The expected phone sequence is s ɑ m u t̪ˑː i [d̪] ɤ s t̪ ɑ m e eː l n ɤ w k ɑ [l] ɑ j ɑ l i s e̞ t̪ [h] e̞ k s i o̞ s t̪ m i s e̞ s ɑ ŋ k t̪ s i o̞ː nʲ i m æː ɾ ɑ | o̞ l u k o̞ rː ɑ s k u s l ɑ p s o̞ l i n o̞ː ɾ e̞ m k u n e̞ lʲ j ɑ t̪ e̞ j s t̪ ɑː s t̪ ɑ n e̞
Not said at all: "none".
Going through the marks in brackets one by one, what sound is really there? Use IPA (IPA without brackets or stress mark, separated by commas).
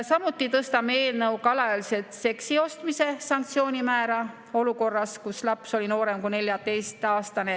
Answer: t̪, l, s